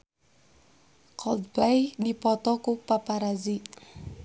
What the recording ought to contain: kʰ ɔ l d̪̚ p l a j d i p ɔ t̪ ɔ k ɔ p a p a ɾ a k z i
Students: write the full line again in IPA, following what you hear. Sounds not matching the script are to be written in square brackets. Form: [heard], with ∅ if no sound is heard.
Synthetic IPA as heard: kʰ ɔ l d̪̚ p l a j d i p ɔ t̪ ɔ k [u] p a p a ɾ a [∅] z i